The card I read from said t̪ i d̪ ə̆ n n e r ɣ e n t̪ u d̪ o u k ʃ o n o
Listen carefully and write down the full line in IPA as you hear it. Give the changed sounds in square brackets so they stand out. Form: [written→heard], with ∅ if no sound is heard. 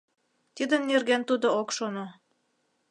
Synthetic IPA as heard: t̪ i d̪ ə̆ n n e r ɣ e n t̪ u d̪ o [u→o] k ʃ o n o